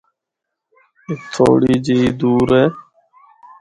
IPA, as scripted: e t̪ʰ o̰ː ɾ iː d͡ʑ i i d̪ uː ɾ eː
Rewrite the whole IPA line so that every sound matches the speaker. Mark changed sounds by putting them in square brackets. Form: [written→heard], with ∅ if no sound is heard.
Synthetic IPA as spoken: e t̪ʰ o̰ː [ɾ→ɽ] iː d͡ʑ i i d̪ uː ɾ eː